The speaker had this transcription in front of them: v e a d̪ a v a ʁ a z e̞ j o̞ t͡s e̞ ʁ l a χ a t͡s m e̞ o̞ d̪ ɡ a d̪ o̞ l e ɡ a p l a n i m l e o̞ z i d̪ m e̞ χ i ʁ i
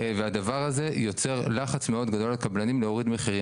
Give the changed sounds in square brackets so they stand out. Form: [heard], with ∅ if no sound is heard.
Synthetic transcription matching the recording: v e a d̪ a v a ʁ a z e̞ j o̞ t͡s e̞ ʁ l a χ a t͡s m e̞ o̞ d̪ ɡ a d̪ o̞ l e [k] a [b] l a n i m l e o̞ [ʁ] i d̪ m e̞ χ i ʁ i